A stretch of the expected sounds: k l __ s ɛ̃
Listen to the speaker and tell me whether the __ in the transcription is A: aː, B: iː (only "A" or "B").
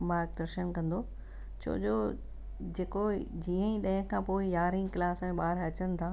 A